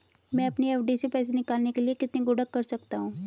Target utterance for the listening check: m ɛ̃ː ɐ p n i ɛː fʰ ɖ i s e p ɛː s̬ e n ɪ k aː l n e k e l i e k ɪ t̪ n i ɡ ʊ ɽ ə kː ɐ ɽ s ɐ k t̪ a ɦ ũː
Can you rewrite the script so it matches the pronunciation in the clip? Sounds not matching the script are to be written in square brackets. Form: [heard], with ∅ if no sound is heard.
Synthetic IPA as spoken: m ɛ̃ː ɐ p n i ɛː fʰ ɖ i s e p ɛː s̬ e n ɪ k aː l n e k e l i e k ɪ t̪ n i ɡ ʊ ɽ ə kː ɐ [ɾ] s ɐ k t̪ a ɦ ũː